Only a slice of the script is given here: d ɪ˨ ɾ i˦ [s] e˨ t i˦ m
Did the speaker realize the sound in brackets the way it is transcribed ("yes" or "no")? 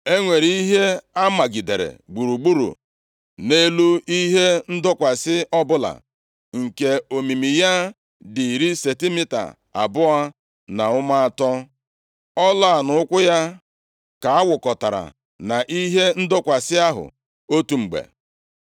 yes